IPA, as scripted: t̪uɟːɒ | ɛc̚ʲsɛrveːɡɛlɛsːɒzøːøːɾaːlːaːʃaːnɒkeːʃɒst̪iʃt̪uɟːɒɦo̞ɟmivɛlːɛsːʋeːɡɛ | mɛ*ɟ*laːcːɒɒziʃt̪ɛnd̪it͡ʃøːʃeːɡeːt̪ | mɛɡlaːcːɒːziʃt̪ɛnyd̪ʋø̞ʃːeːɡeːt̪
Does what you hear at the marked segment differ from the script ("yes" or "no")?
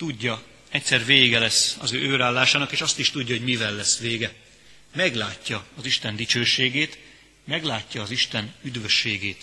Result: yes